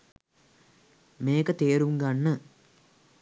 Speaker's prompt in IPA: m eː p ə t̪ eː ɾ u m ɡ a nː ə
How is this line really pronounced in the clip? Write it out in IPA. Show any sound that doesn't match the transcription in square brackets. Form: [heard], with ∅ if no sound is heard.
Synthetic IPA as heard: m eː [k] ə t̪ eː ɾ u [ŋ] ɡ a nː ə

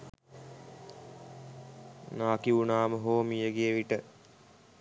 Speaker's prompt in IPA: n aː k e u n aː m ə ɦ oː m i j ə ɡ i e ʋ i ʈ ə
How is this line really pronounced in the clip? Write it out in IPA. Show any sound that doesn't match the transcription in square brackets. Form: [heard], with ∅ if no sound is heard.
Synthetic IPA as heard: n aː k [i] u n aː m ə ɦ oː m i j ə ɡ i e ʋ i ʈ ə

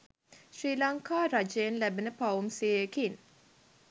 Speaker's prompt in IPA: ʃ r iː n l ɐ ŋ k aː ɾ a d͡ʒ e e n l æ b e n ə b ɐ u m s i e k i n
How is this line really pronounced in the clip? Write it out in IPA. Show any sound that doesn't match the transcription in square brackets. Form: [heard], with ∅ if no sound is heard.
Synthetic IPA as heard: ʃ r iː [∅] l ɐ ŋ k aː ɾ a d͡ʒ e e n l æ b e n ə [p] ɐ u m s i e k i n

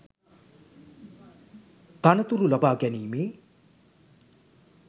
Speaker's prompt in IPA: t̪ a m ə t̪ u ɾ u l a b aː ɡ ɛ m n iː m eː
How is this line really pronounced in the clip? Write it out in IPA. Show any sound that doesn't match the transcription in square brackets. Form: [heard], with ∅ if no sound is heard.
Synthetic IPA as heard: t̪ a [n] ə t̪ u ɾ u l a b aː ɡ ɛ [∅] n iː m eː

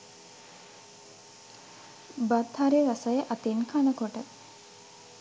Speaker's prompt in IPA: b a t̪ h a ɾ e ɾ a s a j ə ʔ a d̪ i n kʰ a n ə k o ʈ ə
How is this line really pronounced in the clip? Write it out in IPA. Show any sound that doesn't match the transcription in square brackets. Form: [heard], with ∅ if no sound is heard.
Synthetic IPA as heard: b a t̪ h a ɾ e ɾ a s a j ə ʔ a [t̪] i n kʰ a n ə k o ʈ ə

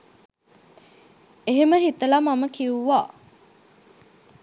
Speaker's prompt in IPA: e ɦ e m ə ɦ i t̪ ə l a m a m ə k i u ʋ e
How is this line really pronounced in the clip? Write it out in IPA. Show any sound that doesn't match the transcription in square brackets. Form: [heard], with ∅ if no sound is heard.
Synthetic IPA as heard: e ɦ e m ə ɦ i t̪ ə l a m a m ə k i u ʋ [a]

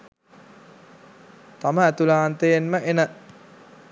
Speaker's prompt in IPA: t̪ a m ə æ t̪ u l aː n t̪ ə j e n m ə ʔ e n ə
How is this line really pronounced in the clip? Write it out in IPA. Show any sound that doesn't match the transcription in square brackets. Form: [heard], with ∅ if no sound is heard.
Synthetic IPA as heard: t̪ a m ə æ t̪ u l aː n t̪ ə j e n m ə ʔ e n ə

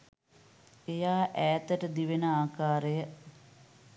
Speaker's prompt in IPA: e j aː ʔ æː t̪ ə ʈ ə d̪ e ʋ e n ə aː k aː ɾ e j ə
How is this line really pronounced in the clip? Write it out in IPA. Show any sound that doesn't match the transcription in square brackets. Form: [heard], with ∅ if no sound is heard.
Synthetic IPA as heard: e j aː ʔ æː t̪ ə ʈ ə d̪ [i] ʋ e n ə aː k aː ɾ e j ə

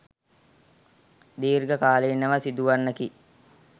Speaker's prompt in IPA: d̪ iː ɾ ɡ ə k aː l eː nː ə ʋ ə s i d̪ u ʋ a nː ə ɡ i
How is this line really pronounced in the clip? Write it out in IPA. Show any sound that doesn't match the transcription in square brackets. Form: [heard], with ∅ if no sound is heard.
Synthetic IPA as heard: d̪ iː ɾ ɡ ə k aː l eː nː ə ʋ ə s i d̪ u ʋ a nː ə [k] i

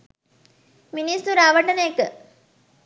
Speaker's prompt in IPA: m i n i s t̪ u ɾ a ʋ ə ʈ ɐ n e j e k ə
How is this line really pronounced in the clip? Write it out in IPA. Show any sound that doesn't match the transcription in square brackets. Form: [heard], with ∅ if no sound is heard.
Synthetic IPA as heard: m i n i s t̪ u ɾ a ʋ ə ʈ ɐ n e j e k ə

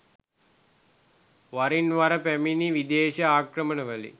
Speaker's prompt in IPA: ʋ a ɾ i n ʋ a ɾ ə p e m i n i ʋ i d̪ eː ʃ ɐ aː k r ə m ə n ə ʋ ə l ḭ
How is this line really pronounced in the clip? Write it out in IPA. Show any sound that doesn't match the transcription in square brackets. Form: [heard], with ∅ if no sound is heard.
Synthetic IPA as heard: ʋ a ɾ i n ʋ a ɾ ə p [æ] m i n i ʋ i d̪ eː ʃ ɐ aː k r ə m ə n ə ʋ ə l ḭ

